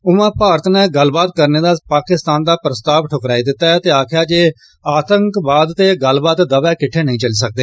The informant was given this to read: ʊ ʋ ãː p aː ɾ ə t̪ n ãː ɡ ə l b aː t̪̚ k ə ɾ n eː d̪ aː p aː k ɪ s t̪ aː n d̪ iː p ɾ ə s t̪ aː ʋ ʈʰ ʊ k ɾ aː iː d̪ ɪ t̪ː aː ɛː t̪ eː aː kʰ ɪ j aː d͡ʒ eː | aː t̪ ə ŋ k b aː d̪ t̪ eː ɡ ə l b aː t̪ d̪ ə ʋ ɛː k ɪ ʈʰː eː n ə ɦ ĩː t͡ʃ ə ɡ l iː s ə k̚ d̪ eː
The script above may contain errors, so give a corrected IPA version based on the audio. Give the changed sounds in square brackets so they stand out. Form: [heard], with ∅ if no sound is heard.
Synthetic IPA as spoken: ʊ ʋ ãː p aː ɾ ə t̪ n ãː ɡ ə l b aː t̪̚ k ə ɾ n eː d̪ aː p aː k ɪ s t̪ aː n d̪ [aː] p ɾ ə s t̪ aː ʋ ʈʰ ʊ k ɾ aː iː d̪ ɪ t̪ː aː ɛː t̪ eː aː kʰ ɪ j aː d͡ʒ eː | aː t̪ ə ŋ k b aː d̪ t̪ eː ɡ ə l b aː t̪ d̪ ə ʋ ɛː k ɪ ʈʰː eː n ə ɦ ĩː t͡ʃ ə [∅] l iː s ə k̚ d̪ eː